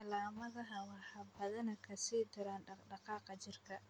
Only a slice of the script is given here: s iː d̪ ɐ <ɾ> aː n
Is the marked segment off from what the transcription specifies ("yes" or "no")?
no